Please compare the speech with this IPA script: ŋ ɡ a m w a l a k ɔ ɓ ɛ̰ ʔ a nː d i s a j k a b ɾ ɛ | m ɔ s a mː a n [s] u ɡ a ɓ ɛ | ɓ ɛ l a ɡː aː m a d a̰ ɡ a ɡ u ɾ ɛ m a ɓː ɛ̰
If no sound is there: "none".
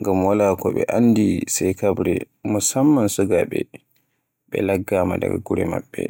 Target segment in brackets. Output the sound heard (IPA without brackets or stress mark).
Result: s